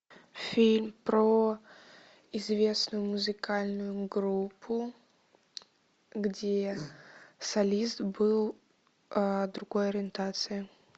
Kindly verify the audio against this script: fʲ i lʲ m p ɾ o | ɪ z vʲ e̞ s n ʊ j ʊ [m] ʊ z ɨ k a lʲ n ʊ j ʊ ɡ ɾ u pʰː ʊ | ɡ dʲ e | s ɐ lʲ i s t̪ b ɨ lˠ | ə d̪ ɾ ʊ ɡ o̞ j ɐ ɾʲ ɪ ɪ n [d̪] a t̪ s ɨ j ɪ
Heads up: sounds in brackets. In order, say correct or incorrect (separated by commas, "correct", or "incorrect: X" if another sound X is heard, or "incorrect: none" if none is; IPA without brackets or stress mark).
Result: correct, incorrect: t̪